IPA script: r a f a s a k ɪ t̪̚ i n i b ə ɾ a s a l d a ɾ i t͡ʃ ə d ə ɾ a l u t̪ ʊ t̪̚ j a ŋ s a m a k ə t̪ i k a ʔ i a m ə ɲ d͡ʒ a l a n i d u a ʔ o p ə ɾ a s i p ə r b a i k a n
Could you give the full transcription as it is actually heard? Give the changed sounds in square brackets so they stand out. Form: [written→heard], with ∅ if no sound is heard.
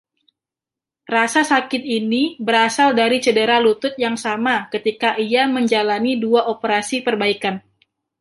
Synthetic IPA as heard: r a [f→s] a s a k ɪ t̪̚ i n i b ə ɾ a s a l d a ɾ i t͡ʃ ə d ə ɾ a l u t̪ ʊ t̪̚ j a ŋ s a m a k ə t̪ i k a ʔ i a m ə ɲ d͡ʒ a l a n i d u a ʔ o p ə ɾ a s i p ə r b a i k a n